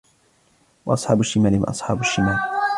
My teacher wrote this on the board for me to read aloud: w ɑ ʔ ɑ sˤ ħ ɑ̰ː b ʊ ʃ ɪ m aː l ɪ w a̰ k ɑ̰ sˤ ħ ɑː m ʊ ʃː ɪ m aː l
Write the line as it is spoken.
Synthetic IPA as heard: w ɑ ʔ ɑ sˤ ħ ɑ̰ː b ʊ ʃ ɪ m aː l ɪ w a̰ ʔ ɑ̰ sˤ ħ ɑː b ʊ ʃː ɪ m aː l

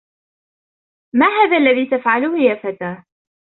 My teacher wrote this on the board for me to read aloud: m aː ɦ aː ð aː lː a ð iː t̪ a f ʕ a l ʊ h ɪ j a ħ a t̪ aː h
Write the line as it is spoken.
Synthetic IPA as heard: m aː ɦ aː ð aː lː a ð iː t̪ a f ʕ a l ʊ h ɪ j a f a t̪ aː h

